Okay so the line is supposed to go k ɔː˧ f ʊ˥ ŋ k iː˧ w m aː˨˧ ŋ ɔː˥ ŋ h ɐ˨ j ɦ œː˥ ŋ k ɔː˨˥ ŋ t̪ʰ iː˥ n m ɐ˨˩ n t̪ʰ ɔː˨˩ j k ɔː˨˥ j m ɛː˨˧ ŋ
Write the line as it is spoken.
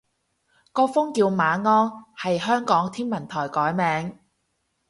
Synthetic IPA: k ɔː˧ f ʊ˥ ŋ k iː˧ w m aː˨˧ ŋ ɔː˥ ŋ h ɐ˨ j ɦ œː˥ ŋ k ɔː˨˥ ŋ t̪ʰ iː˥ n m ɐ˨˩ n t̪ʰ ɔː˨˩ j k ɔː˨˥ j m ɛː˨˧ ŋ